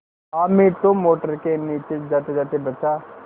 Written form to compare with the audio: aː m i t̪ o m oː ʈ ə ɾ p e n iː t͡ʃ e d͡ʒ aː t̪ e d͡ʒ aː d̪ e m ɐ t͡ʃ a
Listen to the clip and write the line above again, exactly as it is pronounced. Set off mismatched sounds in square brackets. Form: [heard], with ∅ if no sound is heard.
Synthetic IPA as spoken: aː m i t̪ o m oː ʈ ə ɾ [k] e n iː t͡ʃ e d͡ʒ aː t̪ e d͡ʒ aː [t̪] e [b] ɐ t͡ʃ a